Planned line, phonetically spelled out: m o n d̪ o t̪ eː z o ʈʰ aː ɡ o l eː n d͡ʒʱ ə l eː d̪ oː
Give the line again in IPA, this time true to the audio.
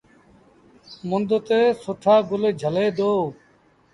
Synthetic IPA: m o n d̪ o t̪ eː s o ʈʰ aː ɡ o l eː d͡ʒʱ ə l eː d̪ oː